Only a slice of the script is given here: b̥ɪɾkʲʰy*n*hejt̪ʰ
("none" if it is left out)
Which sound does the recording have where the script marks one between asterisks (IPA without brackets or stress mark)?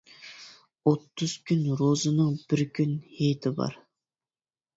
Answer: n